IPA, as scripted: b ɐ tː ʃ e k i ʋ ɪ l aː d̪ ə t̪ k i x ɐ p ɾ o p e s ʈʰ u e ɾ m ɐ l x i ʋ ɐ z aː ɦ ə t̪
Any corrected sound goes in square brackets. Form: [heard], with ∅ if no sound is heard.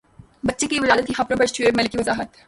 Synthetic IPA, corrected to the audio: b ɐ tː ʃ e k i ʋ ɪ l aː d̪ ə t̪ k i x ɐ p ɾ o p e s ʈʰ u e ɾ m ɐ l [k] i ʋ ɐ z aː ɦ ə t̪